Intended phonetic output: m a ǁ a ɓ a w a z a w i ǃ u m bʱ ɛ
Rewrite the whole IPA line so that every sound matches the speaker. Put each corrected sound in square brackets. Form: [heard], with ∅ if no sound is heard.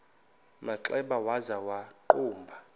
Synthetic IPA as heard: m a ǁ [ɛ] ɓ a w a z a w [a] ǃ [uː] m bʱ [a]